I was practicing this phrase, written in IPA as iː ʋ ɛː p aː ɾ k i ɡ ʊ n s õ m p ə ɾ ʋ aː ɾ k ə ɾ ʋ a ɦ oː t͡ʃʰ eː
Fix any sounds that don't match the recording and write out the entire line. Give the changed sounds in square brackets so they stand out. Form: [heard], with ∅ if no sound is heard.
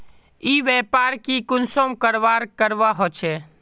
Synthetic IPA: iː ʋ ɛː p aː ɾ k i [k] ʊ n s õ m [k] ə ɾ ʋ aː ɾ k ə ɾ ʋ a ɦ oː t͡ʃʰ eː

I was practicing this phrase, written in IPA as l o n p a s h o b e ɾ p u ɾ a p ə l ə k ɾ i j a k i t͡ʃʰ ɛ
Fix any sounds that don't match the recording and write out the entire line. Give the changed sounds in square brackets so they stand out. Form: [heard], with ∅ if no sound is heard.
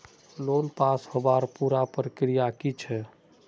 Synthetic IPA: l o n p a s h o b [a] ɾ p u ɾ a p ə [ɾ] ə k ɾ i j a k i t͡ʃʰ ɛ

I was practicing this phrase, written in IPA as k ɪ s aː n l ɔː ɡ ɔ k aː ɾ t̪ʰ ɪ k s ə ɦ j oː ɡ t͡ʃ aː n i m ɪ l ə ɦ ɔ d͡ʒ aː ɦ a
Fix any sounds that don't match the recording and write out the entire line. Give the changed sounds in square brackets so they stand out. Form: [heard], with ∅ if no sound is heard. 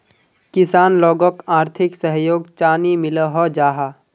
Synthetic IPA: k ɪ s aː n l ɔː ɡ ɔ k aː ɾ t̪ʰ ɪ k s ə ɦ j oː ɡ t͡ʃ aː n i m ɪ l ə ɦ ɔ d͡ʒ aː ɦ a

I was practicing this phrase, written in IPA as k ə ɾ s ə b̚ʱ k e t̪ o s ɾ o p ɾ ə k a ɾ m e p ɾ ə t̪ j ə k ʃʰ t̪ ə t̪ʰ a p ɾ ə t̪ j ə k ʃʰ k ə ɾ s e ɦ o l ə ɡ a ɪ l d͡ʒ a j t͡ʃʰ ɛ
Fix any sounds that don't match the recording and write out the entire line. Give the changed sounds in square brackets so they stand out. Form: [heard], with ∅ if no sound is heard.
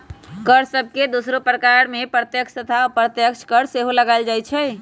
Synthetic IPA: k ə ɾ s ə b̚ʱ k e [d̪] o s ɾ o p ɾ ə k a ɾ m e p ɾ ə t̪ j ə k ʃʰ t̪ ə t̪ʰ a p ɾ ə t̪ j ə k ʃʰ k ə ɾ s e ɦ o l ə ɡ a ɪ l d͡ʒ a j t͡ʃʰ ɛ

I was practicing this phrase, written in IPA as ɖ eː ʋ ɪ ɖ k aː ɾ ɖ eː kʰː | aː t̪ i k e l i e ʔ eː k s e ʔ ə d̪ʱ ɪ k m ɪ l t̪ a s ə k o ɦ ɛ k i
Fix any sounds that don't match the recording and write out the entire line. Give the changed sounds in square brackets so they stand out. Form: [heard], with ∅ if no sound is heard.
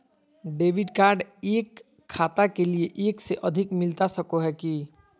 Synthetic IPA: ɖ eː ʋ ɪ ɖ k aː ɾ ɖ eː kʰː | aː t̪ [a] k e l i e ʔ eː k s e ʔ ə d̪ʱ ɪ k m ɪ l t̪ a s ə k o ɦ ɛ k i

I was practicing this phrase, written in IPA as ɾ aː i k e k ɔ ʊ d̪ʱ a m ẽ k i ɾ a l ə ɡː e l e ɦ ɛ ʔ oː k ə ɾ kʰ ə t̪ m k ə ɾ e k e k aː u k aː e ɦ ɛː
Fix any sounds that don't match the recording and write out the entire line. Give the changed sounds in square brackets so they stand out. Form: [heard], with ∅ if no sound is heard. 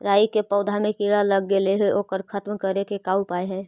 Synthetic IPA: ɾ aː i k e [p] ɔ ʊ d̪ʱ a m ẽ k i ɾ a l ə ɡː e l e ɦ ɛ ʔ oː k ə ɾ kʰ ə t̪ m k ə ɾ e k e k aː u [p] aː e ɦ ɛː

